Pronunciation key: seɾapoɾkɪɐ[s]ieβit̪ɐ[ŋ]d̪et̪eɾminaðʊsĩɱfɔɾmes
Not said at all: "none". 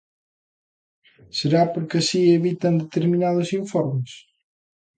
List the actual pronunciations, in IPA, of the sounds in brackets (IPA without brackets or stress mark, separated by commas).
s, n